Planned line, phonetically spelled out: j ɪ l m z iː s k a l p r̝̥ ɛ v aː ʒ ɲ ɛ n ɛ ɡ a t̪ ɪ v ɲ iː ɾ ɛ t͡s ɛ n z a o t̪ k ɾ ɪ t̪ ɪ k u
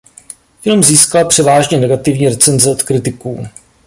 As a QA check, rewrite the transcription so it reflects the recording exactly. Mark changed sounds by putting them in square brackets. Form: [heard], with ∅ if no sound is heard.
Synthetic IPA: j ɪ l m z iː s k a l p r̝̥ ɛ v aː ʒ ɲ ɛ n ɛ ɡ a t̪ ɪ v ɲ iː ɾ ɛ t͡s ɛ n z [ɛ] o t̪ k ɾ ɪ t̪ ɪ k [uː]